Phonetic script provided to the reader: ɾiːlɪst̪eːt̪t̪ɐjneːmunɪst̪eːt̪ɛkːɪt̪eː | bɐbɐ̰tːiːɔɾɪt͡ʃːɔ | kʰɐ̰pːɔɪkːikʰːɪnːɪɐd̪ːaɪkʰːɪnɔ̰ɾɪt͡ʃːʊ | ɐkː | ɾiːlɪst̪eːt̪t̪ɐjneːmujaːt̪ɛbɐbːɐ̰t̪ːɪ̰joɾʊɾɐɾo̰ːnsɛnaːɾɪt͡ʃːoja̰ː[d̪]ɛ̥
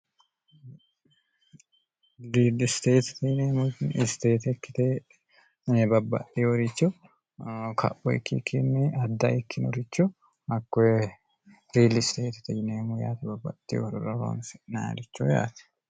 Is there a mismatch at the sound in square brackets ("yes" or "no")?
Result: yes